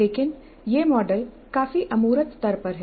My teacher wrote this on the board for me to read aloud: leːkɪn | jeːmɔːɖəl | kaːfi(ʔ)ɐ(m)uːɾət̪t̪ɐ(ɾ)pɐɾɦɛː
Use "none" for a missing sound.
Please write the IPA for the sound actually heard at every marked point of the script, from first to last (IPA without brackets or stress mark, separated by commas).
ʔ, m, ɾ